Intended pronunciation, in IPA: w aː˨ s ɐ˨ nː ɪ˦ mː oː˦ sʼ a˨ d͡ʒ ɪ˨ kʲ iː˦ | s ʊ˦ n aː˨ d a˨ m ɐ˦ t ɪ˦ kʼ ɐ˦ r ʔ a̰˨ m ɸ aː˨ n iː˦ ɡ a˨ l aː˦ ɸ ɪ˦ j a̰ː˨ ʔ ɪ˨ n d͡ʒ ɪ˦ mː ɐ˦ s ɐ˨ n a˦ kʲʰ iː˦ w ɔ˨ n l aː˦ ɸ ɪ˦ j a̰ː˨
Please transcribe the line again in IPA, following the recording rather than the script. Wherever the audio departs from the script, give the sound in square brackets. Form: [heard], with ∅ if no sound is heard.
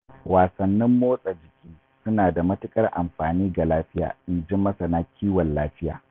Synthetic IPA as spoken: w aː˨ s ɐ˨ nː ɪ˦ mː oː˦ sʼ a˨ d͡ʒ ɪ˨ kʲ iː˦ | s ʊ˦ n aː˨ d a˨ m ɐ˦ t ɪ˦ kʼ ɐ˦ r ʔ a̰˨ m ɸ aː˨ n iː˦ ɡ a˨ l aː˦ ɸ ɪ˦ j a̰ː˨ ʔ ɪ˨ n d͡ʒ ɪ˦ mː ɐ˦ s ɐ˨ n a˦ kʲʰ iː˦ w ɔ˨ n l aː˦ ɸ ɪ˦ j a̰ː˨

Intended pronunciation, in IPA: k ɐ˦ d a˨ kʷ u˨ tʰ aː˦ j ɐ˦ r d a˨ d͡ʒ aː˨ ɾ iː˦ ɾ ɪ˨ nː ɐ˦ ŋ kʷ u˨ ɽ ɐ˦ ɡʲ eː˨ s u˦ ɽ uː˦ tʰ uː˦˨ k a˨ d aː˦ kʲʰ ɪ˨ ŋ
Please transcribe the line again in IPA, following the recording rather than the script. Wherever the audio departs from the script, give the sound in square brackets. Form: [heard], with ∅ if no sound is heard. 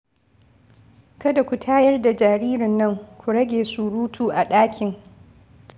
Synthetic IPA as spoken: k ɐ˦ d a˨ kʷ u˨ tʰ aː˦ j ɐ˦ r d a˨ d͡ʒ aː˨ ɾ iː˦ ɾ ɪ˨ nː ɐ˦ ŋ kʷ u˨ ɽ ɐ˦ ɡʲ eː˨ s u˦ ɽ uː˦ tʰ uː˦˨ [ʔ] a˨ [ɗ] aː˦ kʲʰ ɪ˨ ŋ

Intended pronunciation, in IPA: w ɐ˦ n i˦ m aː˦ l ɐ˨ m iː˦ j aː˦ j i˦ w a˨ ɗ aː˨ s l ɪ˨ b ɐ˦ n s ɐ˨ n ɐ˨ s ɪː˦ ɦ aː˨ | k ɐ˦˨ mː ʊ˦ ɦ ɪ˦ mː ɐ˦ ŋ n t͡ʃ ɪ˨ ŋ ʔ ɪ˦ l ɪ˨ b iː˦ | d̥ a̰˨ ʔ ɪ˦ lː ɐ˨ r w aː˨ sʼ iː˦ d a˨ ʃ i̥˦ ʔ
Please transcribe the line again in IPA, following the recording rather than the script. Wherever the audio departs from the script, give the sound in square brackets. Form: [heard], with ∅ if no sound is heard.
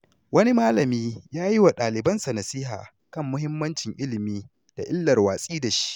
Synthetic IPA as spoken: w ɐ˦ n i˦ m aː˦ l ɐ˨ m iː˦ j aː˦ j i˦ w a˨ ɗ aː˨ [∅] l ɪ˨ b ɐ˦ n s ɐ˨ n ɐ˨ s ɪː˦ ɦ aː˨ | k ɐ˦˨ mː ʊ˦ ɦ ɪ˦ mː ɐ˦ [∅] n t͡ʃ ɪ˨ ŋ ʔ ɪ˦ l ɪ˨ [m] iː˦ | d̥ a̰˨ ʔ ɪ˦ lː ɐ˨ r w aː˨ sʼ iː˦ d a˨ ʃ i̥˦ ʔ

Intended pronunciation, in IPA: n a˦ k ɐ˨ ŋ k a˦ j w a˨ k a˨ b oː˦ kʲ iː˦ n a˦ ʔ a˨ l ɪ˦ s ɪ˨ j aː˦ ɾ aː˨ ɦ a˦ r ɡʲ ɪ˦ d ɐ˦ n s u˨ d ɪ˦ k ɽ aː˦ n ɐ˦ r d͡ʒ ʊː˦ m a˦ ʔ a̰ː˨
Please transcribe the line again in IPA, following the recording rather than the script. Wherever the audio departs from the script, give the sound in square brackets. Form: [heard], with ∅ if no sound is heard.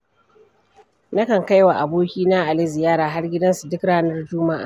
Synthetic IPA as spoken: n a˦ k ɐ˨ ŋ k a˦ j w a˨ [ʔ] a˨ b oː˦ kʲ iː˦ n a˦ ʔ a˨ l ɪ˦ [z] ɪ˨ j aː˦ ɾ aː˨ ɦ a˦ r ɡʲ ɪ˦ d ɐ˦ n s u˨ d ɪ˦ k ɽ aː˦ n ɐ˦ r d͡ʒ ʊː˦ m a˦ ʔ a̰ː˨

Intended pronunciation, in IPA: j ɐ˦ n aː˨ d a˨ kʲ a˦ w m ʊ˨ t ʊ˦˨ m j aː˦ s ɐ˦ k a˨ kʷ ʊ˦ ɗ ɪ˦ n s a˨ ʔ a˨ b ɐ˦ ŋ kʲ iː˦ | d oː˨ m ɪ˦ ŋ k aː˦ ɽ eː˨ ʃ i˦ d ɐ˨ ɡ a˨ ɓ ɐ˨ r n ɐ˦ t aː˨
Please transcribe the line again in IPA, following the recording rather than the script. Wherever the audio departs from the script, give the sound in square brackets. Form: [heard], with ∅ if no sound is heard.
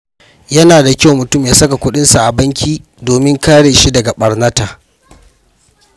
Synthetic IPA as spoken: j ɐ˦ n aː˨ d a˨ kʲ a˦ w m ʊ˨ t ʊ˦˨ m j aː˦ s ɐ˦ k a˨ kʷ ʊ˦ ɗ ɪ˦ n s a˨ ʔ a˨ b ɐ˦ ŋ kʲ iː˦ | d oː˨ m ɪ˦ ŋ k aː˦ ɽ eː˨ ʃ i˦ d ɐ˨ ɡ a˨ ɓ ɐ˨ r n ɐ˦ t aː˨

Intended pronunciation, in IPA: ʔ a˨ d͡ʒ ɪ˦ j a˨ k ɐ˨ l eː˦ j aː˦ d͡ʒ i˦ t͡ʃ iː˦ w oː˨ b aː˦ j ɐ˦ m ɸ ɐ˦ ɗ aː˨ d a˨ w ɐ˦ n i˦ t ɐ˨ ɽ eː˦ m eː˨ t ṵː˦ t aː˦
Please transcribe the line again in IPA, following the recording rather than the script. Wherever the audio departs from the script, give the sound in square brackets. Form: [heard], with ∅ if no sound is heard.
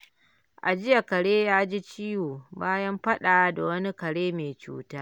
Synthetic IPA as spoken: ʔ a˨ d͡ʒ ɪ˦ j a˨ k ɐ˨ [ɽ] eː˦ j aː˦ d͡ʒ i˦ t͡ʃ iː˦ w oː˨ b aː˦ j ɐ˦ m ɸ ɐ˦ ɗ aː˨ d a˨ w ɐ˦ n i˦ [k] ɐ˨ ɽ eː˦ m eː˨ [t͡ʃ] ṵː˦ t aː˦

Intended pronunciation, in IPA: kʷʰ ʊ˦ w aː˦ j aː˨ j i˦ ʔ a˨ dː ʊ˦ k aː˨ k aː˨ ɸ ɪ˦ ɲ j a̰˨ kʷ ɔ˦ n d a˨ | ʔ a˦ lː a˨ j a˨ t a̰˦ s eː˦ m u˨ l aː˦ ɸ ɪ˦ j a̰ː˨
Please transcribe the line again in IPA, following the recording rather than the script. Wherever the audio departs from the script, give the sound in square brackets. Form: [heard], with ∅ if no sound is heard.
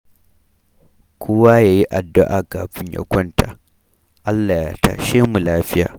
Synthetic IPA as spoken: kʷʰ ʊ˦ w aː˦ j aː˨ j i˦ ʔ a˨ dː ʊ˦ [ʔ] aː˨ k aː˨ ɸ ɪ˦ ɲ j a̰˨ kʷ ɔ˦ n [t] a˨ | ʔ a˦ lː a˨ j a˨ t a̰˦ [ʃ] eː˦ m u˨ l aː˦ ɸ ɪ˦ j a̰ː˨

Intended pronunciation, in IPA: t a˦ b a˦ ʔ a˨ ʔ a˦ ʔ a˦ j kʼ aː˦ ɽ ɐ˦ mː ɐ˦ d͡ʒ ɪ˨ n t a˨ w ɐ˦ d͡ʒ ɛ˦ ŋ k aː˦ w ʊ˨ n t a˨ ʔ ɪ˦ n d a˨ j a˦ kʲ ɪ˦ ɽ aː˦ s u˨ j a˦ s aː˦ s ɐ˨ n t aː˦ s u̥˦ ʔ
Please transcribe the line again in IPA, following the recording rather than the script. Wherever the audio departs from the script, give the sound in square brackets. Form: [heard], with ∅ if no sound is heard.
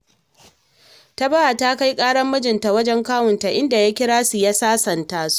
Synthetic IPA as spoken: t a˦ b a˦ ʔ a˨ [t] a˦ [k] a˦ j kʼ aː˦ ɽ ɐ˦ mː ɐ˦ d͡ʒ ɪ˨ n t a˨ w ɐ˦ d͡ʒ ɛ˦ ŋ k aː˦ w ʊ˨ n t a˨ ʔ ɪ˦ n d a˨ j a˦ kʲ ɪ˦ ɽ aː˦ s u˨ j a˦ s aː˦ s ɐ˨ n t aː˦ s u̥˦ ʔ

